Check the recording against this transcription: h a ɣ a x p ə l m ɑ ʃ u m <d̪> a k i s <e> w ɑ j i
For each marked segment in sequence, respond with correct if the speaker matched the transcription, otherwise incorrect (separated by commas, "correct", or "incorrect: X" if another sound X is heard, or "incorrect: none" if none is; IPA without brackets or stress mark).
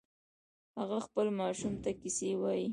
incorrect: t̪, correct